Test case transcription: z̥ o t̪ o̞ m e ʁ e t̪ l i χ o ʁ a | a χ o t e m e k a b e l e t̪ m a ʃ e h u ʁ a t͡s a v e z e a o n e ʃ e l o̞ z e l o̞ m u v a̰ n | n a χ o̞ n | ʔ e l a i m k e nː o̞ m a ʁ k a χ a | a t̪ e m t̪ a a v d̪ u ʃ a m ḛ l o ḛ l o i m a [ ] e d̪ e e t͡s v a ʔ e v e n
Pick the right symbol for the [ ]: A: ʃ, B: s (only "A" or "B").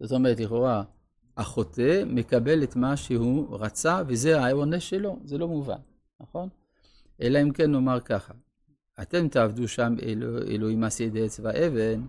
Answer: B